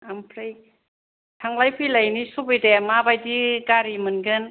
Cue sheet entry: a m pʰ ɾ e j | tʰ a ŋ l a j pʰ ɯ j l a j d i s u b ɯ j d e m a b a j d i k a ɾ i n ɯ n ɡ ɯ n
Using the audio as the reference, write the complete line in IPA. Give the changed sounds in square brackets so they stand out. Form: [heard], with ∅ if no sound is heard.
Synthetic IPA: a m pʰ ɾ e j | tʰ a ŋ l a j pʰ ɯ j l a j [n] i s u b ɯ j d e m a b a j d i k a ɾ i [m] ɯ n ɡ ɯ n